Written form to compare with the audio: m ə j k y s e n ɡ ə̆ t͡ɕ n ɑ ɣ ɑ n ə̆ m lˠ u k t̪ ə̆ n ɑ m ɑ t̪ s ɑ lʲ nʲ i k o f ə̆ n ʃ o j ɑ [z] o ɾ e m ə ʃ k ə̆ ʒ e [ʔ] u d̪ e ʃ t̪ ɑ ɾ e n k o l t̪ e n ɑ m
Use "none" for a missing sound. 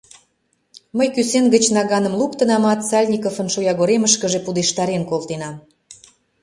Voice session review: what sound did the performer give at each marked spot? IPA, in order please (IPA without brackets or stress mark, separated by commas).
ɣ, p